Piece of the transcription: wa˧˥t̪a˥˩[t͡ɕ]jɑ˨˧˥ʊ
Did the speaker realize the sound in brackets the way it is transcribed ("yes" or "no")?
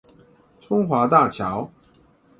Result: no